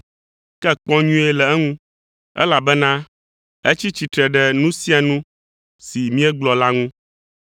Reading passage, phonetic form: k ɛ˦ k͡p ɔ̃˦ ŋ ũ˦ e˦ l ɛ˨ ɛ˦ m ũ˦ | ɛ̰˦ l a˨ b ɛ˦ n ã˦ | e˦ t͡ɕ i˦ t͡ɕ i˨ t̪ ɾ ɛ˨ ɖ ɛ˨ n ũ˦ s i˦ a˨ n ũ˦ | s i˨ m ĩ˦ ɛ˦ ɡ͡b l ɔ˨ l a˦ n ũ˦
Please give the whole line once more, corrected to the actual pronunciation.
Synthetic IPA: k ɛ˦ k͡p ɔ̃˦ ɲ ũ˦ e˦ l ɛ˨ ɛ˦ ŋ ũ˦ | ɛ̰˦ l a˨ b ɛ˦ n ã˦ | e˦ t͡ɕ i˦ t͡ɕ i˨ t̪ ɾ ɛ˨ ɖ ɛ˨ n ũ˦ s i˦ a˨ n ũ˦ | s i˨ m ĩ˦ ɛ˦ ɡ͡b l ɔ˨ l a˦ ŋ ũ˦